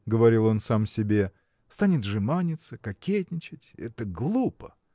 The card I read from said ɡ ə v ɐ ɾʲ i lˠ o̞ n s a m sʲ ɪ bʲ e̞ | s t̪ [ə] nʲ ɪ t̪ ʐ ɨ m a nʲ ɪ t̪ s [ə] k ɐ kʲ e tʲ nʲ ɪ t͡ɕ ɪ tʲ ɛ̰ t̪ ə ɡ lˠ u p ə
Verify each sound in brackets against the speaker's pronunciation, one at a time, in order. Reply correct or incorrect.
incorrect, correct

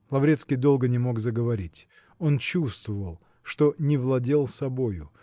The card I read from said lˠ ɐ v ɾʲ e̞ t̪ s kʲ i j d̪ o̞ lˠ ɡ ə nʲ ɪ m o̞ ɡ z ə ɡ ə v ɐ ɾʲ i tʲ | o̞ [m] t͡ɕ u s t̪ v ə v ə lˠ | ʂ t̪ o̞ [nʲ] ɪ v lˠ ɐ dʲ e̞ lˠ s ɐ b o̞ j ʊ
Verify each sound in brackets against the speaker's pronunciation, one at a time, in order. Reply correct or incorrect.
incorrect, correct

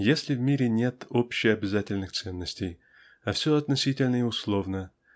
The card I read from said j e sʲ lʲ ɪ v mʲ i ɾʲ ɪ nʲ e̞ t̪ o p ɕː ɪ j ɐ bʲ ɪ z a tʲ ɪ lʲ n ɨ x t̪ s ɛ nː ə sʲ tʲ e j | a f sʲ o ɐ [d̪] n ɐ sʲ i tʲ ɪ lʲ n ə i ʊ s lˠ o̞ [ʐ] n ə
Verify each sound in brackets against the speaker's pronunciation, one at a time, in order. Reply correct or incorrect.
incorrect, incorrect

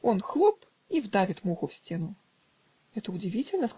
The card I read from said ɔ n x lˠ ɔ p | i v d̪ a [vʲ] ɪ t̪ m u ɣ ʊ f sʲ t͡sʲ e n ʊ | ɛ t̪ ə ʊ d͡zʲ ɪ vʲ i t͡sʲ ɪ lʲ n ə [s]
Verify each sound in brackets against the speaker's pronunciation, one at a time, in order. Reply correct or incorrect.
correct, correct

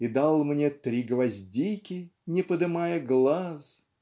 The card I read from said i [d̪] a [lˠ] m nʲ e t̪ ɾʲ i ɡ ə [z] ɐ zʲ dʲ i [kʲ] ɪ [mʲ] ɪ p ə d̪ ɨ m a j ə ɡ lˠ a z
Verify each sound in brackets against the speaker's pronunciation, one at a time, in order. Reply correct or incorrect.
correct, correct, incorrect, correct, incorrect

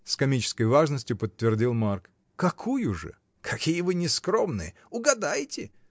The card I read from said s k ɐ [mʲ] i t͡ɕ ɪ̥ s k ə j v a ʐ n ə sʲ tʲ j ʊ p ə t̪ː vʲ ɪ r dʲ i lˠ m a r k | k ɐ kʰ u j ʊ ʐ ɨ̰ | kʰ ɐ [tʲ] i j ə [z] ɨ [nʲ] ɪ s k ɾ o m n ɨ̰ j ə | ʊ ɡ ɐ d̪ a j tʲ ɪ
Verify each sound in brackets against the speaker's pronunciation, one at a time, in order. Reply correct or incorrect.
correct, incorrect, incorrect, correct

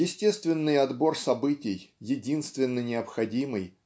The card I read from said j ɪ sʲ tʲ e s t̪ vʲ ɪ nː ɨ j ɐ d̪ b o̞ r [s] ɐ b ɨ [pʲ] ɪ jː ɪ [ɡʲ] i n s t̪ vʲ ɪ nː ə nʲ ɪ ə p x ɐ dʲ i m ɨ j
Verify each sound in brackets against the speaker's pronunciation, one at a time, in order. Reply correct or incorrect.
correct, incorrect, incorrect

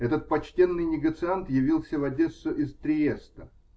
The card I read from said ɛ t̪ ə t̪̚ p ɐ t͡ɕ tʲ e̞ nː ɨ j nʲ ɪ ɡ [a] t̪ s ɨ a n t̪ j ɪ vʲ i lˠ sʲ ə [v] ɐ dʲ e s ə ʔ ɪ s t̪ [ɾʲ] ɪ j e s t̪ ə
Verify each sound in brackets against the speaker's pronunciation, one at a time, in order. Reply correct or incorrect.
incorrect, correct, correct

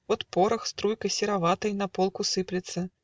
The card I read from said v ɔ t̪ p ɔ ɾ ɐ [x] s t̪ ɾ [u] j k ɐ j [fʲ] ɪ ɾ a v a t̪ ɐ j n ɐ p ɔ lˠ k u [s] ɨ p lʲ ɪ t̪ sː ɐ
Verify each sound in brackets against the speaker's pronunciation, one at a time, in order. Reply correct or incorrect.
correct, correct, incorrect, correct

